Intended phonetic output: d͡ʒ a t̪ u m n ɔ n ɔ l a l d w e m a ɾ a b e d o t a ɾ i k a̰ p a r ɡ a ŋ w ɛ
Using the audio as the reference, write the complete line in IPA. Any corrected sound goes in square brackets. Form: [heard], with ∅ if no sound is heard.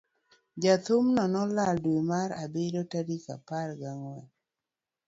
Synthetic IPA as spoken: d͡ʒ a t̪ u m n ɔ n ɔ l a l d w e m a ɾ a b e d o t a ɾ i k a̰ p a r ɡ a ŋ w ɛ